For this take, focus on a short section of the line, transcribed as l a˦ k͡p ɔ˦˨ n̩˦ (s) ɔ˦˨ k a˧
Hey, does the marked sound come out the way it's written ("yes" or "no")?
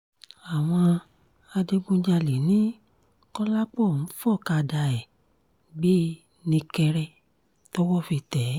no